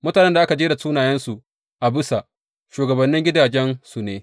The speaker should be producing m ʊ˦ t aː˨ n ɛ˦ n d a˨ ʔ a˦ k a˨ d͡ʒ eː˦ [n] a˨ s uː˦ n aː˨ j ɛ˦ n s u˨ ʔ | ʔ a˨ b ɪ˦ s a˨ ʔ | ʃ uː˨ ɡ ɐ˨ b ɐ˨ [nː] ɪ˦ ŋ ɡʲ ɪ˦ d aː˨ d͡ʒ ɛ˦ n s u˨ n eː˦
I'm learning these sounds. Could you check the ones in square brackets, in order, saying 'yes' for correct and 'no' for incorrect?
no, yes

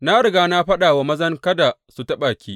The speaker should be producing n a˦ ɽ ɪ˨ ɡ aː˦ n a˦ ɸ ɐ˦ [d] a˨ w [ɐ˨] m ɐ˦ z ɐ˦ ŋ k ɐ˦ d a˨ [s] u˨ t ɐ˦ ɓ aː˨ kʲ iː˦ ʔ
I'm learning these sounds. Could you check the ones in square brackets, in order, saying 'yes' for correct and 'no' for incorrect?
no, no, yes

